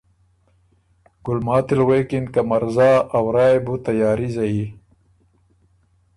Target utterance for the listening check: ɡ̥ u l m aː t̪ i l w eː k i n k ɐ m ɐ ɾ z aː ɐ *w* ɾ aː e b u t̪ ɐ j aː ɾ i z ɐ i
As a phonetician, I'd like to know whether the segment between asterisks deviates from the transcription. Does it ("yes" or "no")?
no